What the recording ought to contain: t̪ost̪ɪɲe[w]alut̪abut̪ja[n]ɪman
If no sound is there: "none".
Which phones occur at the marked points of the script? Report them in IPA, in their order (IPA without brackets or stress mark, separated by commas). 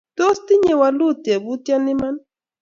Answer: w, n